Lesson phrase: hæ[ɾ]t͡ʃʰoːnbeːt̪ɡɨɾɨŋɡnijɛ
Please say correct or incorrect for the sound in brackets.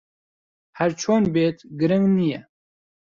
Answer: correct